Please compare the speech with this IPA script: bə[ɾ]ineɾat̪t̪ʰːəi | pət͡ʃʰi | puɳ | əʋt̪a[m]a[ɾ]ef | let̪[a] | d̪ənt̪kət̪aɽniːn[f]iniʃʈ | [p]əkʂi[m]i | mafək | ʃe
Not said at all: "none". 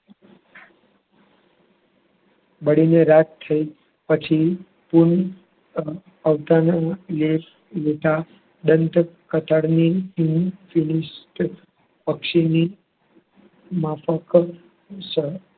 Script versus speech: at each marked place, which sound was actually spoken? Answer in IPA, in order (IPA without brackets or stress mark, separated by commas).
ɽ, n, l, a, f, p, n